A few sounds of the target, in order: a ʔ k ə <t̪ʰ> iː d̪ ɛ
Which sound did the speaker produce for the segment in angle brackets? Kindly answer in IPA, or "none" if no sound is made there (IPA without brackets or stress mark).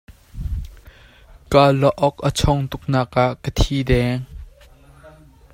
t̪ʰ